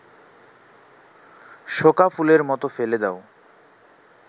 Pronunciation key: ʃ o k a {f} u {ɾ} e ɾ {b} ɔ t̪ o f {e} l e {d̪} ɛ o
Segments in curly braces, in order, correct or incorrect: correct, incorrect, incorrect, correct, correct

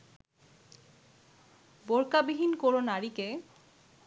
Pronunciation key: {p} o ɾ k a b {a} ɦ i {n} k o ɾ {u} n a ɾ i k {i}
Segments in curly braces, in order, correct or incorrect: incorrect, incorrect, correct, incorrect, incorrect

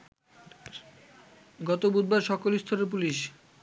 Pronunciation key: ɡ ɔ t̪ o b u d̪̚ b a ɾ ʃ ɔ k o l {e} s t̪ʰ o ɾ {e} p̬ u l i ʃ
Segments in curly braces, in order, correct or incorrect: incorrect, correct

